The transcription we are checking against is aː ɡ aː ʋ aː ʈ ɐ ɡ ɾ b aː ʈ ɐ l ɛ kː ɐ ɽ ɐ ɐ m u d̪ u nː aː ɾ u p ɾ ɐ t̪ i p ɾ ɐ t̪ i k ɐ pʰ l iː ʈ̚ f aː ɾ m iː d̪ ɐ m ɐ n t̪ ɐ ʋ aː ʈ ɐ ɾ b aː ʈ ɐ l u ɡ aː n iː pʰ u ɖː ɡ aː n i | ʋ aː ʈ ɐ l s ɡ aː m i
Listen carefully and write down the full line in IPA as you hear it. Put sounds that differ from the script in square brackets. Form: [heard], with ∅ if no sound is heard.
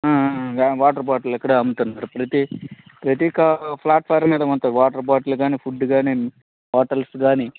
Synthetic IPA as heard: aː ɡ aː ʋ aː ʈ ɐ [∅] ɾ b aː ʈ ɐ l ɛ kː ɐ ɽ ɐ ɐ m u [t̪] u nː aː ɾ u p ɾ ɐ t̪ i p ɾ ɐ t̪ i k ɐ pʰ l [aː] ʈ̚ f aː ɾ m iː d̪ ɐ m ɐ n t̪ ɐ ʋ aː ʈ ɐ ɾ b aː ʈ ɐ l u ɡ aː n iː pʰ u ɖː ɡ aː n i | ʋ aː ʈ ɐ l s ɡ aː [n] i